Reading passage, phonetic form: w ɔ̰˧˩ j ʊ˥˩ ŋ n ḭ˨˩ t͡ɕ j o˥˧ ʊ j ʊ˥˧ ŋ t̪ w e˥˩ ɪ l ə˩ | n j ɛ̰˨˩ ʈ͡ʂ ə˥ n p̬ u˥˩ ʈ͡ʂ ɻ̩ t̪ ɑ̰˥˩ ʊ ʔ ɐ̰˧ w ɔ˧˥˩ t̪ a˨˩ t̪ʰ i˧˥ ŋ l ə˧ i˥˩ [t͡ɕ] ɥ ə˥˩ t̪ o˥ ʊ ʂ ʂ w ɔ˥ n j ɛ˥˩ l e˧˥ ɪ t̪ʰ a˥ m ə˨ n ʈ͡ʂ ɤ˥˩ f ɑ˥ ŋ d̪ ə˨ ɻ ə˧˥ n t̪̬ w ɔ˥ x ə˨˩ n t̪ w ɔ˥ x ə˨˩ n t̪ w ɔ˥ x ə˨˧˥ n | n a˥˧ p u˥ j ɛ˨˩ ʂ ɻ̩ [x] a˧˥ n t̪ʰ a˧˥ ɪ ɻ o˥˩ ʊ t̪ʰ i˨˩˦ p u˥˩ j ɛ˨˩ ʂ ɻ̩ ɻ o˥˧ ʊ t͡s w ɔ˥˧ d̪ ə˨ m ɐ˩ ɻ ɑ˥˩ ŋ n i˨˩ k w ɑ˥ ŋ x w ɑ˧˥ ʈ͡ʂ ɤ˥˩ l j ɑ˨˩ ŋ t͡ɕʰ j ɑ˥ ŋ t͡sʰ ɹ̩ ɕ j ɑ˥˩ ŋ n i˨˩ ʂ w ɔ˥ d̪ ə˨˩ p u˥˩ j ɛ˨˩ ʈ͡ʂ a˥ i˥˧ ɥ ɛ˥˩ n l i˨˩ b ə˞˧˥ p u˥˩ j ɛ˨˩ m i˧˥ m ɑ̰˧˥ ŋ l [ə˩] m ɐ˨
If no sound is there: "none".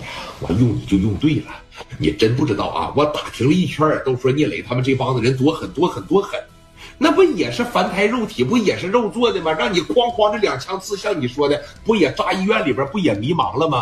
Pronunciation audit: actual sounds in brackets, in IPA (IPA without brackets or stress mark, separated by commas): t͡ɕʰ, f, ə˧